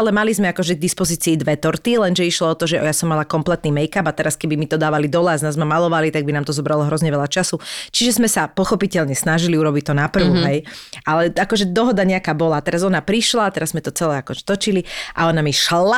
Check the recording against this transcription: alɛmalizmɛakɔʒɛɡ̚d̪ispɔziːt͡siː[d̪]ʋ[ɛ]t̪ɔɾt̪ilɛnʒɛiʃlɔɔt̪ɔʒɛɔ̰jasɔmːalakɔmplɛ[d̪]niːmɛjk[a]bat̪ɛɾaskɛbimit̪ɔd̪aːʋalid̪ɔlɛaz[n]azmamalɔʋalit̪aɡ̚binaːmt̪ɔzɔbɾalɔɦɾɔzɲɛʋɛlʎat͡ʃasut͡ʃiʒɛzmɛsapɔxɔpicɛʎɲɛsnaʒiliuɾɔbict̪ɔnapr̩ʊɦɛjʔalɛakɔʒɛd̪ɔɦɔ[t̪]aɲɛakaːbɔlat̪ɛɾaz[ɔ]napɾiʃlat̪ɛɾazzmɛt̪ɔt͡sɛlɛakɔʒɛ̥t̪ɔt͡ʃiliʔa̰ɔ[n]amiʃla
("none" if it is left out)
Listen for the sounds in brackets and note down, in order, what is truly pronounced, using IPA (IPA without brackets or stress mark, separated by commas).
d̪, ɛ, t̪, a, n, d̪, ɔ, n